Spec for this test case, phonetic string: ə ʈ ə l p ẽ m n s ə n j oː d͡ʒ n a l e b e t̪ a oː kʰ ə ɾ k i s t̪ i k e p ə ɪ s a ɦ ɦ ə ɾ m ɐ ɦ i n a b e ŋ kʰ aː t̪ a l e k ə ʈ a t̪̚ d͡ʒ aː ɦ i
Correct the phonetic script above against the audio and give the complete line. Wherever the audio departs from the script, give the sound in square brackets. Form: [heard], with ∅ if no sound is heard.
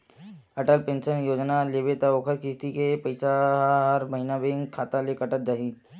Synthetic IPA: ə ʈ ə l p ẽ [∅] n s ə n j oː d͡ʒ n a l e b e t̪ a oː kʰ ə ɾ k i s t̪ i k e p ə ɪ s a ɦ ɦ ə ɾ m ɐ ɦ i n a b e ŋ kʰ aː t̪ a l e k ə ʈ [ə] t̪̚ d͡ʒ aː ɦ i